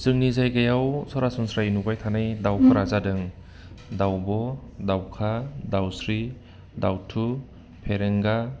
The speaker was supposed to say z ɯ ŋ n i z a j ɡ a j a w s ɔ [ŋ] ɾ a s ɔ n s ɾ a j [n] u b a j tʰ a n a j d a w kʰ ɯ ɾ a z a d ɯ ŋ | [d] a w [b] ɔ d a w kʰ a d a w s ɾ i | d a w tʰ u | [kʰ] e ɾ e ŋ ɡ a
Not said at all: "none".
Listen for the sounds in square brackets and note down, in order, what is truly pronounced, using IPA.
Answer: none, n, d, b, pʰ

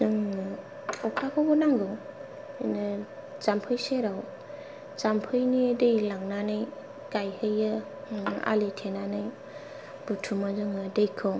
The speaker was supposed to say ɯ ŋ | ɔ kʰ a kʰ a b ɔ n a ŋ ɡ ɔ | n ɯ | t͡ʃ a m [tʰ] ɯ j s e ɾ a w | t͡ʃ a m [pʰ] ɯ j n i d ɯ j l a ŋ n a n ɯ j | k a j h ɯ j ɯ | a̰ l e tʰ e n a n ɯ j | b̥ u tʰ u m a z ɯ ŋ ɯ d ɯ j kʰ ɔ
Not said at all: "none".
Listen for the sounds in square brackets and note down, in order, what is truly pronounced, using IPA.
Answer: pʰ, pʰ

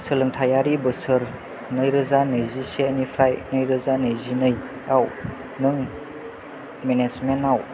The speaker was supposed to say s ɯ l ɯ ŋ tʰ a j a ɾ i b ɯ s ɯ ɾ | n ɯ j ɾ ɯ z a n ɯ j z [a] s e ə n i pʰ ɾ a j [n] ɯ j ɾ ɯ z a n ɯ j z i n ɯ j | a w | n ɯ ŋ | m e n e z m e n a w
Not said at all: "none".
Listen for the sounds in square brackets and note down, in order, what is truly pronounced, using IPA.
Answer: i, n

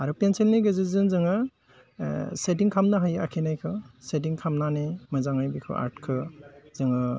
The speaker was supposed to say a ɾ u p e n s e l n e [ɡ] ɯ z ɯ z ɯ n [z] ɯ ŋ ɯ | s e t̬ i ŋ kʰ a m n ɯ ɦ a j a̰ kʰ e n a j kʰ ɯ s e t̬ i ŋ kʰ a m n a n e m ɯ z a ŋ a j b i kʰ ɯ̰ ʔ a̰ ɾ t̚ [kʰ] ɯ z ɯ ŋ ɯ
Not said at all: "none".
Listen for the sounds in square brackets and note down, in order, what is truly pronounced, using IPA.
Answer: ɡ, z, kʰ

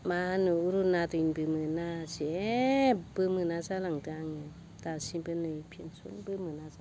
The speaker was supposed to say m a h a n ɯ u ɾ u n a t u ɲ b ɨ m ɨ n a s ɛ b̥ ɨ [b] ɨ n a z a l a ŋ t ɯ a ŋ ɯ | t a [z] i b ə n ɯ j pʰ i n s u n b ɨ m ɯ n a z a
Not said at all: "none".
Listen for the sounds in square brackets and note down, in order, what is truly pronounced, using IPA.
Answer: m, s

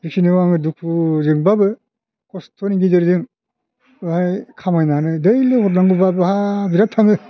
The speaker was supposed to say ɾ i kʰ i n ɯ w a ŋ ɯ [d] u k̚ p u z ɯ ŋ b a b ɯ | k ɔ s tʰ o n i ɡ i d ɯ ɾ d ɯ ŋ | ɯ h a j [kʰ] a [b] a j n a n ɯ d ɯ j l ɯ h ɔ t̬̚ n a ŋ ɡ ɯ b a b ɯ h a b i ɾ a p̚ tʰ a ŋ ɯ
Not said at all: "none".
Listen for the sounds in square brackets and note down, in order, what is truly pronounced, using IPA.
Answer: d, kʰ, m

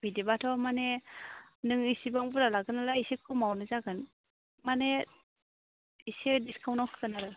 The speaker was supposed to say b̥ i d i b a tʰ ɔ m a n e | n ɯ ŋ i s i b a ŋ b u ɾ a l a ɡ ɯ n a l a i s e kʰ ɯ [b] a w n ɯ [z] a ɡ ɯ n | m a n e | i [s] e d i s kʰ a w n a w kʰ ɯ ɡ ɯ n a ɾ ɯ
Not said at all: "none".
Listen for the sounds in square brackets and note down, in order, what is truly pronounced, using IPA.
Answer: m, z, s

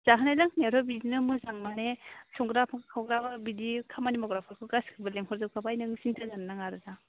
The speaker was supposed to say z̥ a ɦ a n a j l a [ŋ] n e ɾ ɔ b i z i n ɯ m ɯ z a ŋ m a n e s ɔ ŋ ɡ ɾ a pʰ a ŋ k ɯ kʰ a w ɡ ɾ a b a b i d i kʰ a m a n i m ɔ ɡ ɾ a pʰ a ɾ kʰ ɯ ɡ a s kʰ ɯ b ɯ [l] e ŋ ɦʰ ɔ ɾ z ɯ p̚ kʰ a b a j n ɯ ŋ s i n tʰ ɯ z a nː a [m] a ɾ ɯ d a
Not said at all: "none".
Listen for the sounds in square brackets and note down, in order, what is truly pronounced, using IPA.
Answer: ŋ, l, ŋ

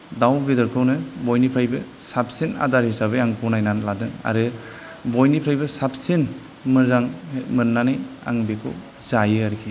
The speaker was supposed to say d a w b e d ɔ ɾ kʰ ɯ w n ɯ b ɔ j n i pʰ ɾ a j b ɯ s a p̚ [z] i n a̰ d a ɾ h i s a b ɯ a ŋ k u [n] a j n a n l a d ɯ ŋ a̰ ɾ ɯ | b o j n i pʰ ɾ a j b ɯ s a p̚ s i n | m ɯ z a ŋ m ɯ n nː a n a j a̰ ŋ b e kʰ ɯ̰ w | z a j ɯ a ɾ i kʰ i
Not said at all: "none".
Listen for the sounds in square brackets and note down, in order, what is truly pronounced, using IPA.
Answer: s, n

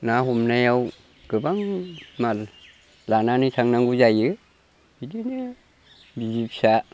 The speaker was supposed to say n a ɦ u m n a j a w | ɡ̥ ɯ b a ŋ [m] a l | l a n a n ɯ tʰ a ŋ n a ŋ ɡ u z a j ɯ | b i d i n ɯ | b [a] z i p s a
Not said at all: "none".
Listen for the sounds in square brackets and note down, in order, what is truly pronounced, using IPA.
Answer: m, i

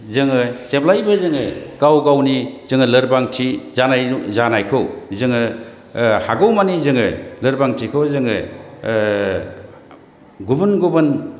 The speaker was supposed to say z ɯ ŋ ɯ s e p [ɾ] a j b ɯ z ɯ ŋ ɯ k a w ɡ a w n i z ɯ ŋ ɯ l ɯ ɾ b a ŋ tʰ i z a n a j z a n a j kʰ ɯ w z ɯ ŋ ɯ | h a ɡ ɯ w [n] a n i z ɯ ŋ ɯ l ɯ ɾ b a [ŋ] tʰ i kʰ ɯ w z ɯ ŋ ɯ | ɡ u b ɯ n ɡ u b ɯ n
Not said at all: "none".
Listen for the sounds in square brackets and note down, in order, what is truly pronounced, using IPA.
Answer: l, m, ŋ

